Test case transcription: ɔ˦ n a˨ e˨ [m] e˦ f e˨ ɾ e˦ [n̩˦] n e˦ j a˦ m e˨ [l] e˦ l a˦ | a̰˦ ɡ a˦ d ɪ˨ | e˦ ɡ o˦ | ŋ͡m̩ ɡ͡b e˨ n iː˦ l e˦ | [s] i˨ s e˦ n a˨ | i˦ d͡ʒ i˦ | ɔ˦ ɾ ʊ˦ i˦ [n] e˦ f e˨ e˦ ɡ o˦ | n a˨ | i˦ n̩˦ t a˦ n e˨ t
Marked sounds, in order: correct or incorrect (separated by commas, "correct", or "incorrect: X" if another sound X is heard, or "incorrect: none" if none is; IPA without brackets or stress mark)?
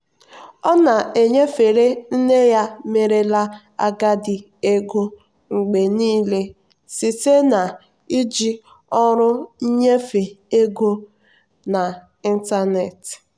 incorrect: ɲ, correct, incorrect: ɾ, correct, incorrect: ɲ